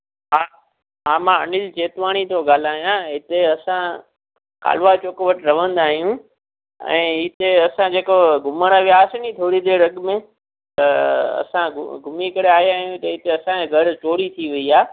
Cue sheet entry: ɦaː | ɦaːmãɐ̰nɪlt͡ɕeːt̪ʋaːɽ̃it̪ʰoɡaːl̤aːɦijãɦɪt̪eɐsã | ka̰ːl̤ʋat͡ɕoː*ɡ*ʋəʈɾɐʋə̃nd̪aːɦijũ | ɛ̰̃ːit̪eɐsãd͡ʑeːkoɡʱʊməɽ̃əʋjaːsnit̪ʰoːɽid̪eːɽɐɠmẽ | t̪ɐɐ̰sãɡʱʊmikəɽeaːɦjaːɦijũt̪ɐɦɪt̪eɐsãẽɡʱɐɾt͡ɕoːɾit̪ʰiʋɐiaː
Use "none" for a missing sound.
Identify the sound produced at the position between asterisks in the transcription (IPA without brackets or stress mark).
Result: k